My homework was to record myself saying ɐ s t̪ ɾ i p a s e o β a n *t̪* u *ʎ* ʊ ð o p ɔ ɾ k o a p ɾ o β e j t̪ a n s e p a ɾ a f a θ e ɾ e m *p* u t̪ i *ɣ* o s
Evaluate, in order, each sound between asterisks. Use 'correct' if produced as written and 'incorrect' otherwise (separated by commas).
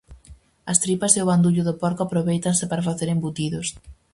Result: incorrect, correct, incorrect, incorrect